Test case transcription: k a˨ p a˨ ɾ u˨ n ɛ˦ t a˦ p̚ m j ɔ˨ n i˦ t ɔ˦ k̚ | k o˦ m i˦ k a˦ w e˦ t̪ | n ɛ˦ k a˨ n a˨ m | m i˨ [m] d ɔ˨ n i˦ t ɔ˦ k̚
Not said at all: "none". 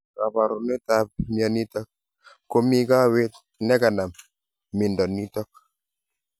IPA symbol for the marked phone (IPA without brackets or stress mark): n